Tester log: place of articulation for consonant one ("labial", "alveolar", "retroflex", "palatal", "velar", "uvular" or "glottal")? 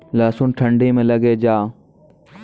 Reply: alveolar